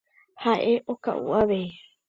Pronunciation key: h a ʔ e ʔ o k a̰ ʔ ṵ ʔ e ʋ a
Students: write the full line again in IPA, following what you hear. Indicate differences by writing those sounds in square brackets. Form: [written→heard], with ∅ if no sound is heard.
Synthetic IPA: h a ʔ e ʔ o k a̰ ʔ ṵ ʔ [e→a] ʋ [a→e]

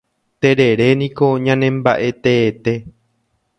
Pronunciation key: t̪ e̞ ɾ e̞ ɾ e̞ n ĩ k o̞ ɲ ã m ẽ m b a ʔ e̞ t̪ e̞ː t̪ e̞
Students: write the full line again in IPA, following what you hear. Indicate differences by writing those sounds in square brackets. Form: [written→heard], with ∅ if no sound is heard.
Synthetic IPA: t̪ e̞ ɾ e̞ ɾ e̞ n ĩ k o̞ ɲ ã [m→n] ẽ m b a ʔ e̞ t̪ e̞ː t̪ e̞

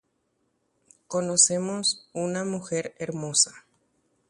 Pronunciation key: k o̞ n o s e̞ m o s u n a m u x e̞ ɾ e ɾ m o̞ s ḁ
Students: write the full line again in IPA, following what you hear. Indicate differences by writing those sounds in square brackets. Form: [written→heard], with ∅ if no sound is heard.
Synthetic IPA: k o̞ n o s e̞ m o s u n a m u x e̞ ɾ e ɾ m o̞ s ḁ

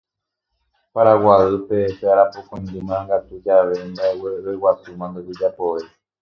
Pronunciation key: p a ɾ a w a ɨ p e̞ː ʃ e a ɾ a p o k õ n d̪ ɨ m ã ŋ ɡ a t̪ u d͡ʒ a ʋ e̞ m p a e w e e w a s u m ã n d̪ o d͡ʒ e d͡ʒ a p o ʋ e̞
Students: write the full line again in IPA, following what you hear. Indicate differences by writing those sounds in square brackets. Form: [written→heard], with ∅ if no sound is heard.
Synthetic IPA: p a ɾ a w a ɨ p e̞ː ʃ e a ɾ a p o k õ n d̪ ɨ m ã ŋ ɡ a t̪ u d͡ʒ a ʋ e̞ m [p→b] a e w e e w a s u m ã n d̪ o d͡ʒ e d͡ʒ a p o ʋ e̞

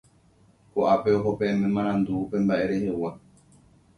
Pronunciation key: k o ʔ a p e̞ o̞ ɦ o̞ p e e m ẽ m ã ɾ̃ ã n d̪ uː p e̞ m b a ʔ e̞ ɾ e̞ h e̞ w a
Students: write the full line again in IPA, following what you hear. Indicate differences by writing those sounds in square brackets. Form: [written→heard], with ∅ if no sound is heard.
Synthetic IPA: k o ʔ a p e̞ o̞ ɦ o̞ p e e m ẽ m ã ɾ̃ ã n d̪ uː p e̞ m b a ʔ e̞ ɾ e̞ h e̞ w a

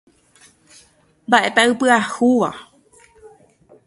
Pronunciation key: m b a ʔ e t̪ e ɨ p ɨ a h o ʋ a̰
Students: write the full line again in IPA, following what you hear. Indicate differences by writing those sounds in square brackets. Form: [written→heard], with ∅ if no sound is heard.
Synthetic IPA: m b a ʔ e t̪ [e→a] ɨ p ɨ a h [o→u] ʋ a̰

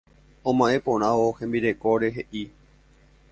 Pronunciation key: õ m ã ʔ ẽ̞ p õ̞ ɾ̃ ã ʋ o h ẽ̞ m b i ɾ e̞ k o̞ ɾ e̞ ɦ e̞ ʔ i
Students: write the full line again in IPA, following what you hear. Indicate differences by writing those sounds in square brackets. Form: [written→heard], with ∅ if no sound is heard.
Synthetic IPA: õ m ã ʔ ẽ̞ p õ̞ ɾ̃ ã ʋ o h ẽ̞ m b i ɾ e̞ k o̞ ɾ e̞ ɦ e̞ ʔ i

